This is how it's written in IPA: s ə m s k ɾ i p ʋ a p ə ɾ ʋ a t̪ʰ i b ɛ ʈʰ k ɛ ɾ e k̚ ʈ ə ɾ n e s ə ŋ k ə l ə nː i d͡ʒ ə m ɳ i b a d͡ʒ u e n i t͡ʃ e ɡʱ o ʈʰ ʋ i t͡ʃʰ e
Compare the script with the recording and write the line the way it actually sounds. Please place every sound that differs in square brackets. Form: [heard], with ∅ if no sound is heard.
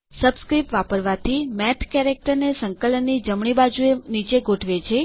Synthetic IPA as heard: s ə [b] s k ɾ i p ʋ a p ə ɾ ʋ a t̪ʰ i [m] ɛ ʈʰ k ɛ ɾ e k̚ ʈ ə ɾ n e s ə ŋ k ə l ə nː i d͡ʒ ə m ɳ i b a d͡ʒ u e n i t͡ʃ e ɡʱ o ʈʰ ʋ [e] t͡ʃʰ e

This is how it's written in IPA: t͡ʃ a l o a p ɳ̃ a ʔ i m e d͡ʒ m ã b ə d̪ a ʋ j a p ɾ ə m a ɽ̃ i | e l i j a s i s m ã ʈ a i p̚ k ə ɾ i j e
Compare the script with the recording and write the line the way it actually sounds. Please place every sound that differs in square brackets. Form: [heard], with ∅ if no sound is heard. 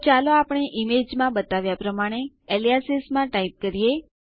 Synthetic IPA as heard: t͡ʃ a l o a p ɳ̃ [e] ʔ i m e d͡ʒ m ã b ə [t̪] a ʋ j a p ɾ ə m a ɽ̃ [e] | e l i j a s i s m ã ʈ a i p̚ k ə ɾ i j e

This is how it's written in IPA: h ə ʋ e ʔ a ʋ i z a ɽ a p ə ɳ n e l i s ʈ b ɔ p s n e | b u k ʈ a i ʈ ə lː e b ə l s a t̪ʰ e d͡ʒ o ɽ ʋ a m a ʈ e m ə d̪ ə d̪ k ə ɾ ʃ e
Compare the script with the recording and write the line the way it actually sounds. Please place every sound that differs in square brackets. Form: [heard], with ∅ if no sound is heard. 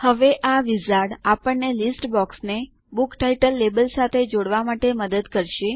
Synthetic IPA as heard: h ə ʋ e ʔ a ʋ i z a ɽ a p ə ɳ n e l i s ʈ b ɔ [k] s n e | b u k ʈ a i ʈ ə lː e b ə l s a t̪ʰ e d͡ʒ o ɽ ʋ a m a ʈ e m ə d̪ ə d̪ k ə ɾ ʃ e

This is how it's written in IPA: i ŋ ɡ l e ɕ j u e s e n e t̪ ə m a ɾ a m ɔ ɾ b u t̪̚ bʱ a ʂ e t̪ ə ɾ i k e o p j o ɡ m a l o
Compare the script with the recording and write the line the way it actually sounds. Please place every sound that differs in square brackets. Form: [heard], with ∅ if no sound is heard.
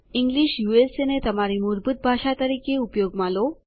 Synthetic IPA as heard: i ŋ ɡ l [i] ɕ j u e s e n e t̪ ə m a ɾ [i] m [u] ɾ b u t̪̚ bʱ a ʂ [a] t̪ ə ɾ i k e [u] p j o ɡ m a l o

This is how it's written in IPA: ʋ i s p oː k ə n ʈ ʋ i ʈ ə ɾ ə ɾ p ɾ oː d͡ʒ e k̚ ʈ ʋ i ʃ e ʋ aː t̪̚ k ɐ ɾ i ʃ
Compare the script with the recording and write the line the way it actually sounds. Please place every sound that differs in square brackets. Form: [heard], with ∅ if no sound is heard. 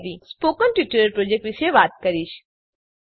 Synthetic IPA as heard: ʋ i s p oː k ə n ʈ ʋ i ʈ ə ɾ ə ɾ p ɾ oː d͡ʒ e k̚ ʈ ʋ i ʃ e ʋ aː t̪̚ k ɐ ɾ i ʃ

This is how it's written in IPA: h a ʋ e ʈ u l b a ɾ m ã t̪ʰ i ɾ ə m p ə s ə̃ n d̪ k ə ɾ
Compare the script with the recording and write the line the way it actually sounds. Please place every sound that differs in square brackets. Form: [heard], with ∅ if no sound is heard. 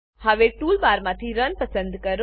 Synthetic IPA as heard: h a ʋ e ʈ u l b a ɾ m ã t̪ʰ i ɾ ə [n] p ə s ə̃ n d̪ k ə ɾ

